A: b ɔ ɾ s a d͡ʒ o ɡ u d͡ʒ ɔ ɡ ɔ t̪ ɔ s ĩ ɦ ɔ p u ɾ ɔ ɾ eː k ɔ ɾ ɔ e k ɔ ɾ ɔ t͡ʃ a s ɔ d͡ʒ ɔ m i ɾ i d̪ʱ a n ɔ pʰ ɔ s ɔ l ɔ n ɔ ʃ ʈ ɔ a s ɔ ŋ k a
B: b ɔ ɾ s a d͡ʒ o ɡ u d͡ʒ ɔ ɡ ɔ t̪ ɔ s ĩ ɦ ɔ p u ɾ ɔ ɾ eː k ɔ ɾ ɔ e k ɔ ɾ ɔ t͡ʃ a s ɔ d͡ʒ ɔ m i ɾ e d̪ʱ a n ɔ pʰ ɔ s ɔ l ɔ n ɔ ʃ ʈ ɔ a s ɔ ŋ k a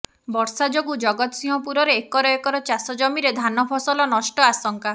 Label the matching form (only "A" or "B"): B